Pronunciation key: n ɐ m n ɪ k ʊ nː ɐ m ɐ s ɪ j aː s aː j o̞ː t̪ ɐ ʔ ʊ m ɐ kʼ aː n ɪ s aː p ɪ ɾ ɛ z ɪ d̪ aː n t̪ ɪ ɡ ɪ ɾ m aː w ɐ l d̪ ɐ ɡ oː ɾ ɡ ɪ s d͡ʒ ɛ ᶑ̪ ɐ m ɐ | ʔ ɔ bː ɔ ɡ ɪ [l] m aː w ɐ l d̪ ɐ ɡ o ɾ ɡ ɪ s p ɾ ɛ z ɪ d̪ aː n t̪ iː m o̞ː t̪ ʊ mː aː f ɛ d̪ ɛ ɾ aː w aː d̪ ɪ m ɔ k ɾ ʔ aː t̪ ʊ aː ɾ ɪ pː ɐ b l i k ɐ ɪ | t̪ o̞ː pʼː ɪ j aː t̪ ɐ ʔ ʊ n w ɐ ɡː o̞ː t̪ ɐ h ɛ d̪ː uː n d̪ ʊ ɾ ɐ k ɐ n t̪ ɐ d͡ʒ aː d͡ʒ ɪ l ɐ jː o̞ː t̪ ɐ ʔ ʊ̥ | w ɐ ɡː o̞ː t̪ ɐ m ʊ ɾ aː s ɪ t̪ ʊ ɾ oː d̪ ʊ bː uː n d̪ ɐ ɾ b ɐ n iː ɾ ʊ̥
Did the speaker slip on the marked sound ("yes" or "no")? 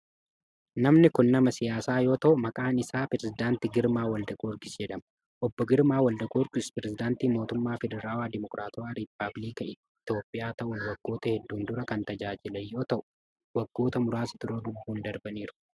yes